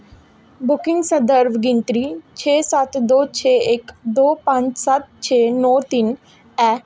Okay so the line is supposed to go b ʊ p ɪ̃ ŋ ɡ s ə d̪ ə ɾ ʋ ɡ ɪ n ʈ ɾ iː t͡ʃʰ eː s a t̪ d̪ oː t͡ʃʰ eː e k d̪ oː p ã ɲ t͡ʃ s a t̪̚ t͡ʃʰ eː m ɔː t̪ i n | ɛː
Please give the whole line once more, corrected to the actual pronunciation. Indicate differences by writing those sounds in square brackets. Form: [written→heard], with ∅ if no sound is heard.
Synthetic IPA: b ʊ [p→k] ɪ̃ ŋ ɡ s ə d̪ ə ɾ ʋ ɡ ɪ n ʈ ɾ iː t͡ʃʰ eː s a t̪ d̪ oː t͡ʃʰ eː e k d̪ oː p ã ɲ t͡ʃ s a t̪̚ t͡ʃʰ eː [m→n] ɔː t̪ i n | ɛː